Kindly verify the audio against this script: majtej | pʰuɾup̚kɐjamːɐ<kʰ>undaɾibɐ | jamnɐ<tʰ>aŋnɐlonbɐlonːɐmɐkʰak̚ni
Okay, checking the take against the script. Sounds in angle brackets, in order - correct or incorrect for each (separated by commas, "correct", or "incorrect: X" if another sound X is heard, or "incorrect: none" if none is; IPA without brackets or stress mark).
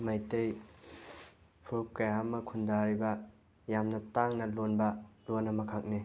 correct, incorrect: t